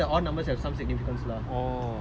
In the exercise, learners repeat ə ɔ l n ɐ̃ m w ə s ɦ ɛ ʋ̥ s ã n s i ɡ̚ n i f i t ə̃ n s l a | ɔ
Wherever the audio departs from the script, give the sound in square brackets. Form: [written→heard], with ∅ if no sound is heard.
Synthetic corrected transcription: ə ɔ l n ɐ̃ m [w→b] ə s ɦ ɛ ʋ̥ s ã [n→m] s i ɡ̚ n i f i [t→k] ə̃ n s l a | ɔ